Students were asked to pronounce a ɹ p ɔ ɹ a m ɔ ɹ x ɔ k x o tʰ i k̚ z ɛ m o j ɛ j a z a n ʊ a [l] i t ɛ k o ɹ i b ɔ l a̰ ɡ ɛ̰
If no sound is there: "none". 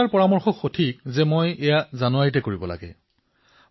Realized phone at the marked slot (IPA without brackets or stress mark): ɹ